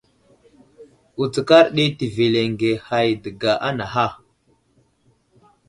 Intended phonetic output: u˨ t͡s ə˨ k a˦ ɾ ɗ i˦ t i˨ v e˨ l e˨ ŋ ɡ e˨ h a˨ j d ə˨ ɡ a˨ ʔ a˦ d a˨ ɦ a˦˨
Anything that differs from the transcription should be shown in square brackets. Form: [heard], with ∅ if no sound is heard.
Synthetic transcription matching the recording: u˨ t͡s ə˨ k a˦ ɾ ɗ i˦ t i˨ v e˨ l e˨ ŋ ɡ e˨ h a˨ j d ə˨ ɡ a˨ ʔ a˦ [n] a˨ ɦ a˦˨